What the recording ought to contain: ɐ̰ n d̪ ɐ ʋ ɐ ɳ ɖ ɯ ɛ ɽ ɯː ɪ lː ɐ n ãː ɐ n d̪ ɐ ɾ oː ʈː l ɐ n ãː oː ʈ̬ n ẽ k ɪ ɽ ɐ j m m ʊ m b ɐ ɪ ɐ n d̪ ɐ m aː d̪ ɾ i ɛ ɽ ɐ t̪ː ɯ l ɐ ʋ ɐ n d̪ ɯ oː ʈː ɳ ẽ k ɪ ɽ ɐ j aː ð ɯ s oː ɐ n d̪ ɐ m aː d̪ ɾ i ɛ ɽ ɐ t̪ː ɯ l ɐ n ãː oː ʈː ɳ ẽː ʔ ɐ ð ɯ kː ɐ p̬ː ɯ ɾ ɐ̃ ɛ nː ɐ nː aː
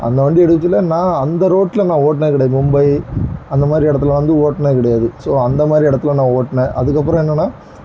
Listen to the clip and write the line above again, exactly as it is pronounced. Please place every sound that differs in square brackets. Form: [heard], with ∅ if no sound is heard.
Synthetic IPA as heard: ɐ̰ n d̪ ɐ ʋ ɐ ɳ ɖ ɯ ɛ ɽ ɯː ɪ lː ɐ n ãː ɐ n d̪ ɐ ɾ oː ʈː l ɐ n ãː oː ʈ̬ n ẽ k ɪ ɽ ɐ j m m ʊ m b ɐ ɪ ɐ n d̪ ɐ m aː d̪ ɾ i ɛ ɽ ɐ t̪ː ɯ l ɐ ʋ ɐ n d̪ ɯ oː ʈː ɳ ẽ k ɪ ɽ ɐ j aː ð ɯ s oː ɐ n d̪ ɐ m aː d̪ ɾ i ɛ ɽ ɐ t̪ː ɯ l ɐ n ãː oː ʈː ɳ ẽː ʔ ɐ ð ɯ kː ɐ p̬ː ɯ ɾ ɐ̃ ɛ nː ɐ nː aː

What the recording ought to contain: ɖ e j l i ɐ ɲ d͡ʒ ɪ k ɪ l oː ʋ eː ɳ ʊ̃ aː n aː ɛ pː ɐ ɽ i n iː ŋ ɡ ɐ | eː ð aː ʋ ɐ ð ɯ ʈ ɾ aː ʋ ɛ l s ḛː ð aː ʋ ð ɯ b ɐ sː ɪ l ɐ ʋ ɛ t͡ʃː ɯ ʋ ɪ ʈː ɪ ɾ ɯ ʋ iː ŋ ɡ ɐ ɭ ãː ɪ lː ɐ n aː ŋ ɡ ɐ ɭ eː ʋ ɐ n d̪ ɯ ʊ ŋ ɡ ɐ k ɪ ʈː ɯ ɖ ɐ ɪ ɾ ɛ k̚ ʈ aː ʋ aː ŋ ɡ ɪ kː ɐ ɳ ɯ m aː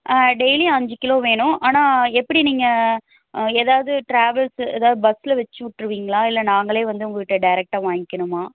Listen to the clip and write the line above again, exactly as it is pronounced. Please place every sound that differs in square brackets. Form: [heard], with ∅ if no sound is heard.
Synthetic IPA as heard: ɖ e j l i ɐ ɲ d͡ʒ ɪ k ɪ l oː ʋ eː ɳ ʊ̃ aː n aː ɛ pː ɐ ɽ i n iː ŋ ɡ ɐ | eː ð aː ʋ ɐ ð ɯ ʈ ɾ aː ʋ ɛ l s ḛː ð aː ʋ ð ɯ b ɐ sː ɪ l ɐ ʋ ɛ t͡ʃː ɯ ʋ ɪ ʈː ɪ ɾ ɯ ʋ iː ŋ ɡ ɐ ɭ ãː ɪ lː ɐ n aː ŋ ɡ ɐ ɭ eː ʋ ɐ n d̪ ɯ ʊ ŋ ɡ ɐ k ɪ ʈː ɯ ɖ ɐ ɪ ɾ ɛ k̚ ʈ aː ʋ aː ŋ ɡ ɪ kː ɐ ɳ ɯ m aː

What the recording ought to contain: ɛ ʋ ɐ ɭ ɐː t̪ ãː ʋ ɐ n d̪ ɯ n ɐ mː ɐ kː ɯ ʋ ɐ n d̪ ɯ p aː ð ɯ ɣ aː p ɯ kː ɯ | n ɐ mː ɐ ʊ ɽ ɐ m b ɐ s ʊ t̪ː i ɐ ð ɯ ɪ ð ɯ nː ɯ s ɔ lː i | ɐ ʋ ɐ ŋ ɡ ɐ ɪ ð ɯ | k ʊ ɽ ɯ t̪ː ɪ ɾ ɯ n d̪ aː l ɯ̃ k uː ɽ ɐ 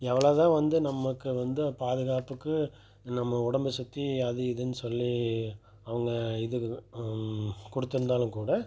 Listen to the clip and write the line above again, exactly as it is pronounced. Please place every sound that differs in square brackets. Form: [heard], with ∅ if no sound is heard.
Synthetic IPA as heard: ɛ ʋ ɐ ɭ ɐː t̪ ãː ʋ ɐ n d̪ ɯ n ɐ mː ɐ kː ɯ ʋ ɐ n d̪ ɯ p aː ð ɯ ɣ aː p ɯ kː ɯ | n ɐ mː ɐ ʊ ɽ ɐ m b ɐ s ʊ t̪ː i ɐ ð ɯ ɪ ð ɯ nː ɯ s ɔ lː i | ɐ ʋ ɐ ŋ ɡ ɐ ɪ ð ɯ | k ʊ ɽ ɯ t̪ː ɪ ɾ ɯ n d̪ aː l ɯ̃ k uː ɽ ɐ

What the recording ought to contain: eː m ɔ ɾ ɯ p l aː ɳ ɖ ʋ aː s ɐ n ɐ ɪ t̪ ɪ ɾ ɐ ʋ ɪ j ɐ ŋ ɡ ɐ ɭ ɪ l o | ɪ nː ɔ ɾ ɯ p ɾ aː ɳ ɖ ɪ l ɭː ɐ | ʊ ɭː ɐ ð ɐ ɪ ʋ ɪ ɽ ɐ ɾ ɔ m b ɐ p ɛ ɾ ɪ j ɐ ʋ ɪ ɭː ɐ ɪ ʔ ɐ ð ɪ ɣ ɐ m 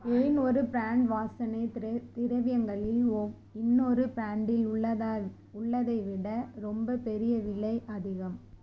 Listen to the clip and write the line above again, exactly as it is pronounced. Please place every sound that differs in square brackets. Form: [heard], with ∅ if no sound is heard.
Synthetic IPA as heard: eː [n] ɔ ɾ ɯ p [ɾ] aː ɳ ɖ ʋ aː s ɐ n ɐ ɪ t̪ ɪ ɾ ɐ ʋ ɪ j ɐ ŋ ɡ ɐ ɭ ɪ l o | ɪ nː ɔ ɾ ɯ p ɾ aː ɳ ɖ ɪ l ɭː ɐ | ʊ ɭː ɐ ð ɐ ɪ ʋ ɪ ɽ ɐ ɾ ɔ m b ɐ p ɛ ɾ ɪ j ɐ ʋ ɪ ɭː ɐ ɪ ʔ ɐ ð ɪ ɣ ɐ m

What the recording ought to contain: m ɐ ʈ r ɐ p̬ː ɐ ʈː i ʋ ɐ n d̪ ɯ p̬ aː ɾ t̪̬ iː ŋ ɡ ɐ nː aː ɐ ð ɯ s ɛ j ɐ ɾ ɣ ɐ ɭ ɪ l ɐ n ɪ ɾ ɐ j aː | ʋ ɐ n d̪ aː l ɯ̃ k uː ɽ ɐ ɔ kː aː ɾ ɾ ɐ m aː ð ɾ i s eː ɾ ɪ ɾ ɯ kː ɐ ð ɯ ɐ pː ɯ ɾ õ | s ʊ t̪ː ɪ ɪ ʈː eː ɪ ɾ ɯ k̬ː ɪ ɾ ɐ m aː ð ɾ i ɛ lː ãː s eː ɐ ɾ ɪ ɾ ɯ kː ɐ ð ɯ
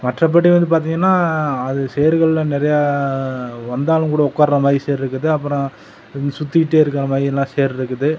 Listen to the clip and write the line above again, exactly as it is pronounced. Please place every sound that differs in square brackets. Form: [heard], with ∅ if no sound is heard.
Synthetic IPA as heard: m ɐ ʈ r ɐ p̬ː ɐ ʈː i ʋ ɐ n d̪ ɯ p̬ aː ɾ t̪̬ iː ŋ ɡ ɐ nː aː ɐ ð ɯ s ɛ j ɐ ɾ ɣ ɐ ɭ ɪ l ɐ n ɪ ɾ ɐ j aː | ʋ ɐ n d̪ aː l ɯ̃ k uː ɽ ɐ ɔ kː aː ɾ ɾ ɐ m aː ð ɾ i s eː ɾ ɪ ɾ ɯ kː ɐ ð ɯ ɐ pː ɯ ɾ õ | s ʊ t̪ː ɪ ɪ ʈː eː ɪ ɾ ɯ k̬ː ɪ ɾ ɐ m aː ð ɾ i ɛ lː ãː s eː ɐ ɾ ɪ ɾ ɯ kː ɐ ð ɯ

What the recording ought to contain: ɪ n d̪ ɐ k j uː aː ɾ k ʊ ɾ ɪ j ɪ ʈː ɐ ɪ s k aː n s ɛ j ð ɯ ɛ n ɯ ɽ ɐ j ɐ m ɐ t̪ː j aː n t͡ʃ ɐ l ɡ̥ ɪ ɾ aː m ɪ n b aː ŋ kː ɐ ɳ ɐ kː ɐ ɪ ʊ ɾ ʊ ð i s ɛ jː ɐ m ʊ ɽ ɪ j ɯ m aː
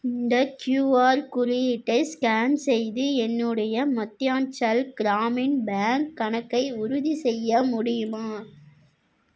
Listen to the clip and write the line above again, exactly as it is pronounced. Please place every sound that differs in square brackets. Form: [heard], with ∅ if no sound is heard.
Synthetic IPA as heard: ɪ n d̪ ɐ k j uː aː ɾ k ʊ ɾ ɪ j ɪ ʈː ɐ ɪ s k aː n s ɛ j ð ɯ ɛ [nː] ɯ ɽ ɐ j ɐ m ɐ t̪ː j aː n t͡ʃ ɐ l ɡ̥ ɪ ɾ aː m ɪ n b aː ŋ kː ɐ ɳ ɐ kː ɐ ɪ ʊ ɾ ʊ ð i s ɛ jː ɐ m ʊ ɽ ɪ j ɯ m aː

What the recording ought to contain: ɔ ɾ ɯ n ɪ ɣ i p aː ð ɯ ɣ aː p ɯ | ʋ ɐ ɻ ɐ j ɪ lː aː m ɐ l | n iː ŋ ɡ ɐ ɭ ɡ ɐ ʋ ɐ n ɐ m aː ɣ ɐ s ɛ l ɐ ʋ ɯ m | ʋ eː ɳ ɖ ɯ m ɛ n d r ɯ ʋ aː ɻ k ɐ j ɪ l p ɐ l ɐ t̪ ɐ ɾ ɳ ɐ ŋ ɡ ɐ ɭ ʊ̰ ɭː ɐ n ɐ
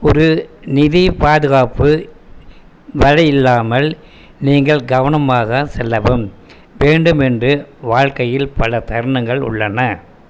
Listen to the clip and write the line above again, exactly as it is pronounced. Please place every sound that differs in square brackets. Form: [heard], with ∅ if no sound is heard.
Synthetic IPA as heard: ɔ ɾ ɯ n ɪ [ð] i p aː ð ɯ ɣ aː p ɯ | ʋ ɐ ɻ ɐ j ɪ lː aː m ɐ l | n iː ŋ ɡ ɐ ɭ ɡ ɐ ʋ ɐ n ɐ m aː ɣ ɐ s ɛ [lː] ɐ ʋ ɯ m | ʋ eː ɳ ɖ ɯ m ɛ n d r ɯ ʋ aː ɻ k ɐ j ɪ l p ɐ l ɐ t̪ ɐ ɾ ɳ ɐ ŋ ɡ ɐ ɭ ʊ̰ ɭː ɐ n ɐ

